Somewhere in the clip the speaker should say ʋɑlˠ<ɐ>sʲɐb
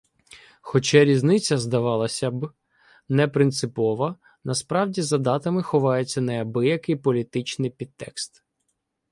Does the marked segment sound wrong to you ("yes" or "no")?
no